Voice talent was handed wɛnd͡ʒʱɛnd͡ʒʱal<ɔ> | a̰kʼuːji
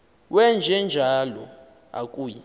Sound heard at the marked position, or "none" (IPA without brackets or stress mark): ɔ